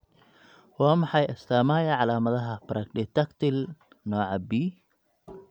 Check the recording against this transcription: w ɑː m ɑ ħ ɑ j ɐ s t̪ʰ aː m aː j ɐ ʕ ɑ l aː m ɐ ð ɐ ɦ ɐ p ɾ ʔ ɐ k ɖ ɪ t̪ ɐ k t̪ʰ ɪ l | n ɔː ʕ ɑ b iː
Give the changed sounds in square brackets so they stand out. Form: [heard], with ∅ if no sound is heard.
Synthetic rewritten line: w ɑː m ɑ ħ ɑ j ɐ s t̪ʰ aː m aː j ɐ ʕ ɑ l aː m ɐ ð ɐ ɦ ɐ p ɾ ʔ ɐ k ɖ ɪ t̪ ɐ k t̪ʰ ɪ l | n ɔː ʕ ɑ b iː